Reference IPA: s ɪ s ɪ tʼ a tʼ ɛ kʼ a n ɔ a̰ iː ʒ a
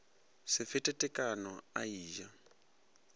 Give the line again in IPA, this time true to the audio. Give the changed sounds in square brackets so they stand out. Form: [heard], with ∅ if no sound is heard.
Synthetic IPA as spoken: s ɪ [f] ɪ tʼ [ɛ] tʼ ɛ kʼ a n ɔ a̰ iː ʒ a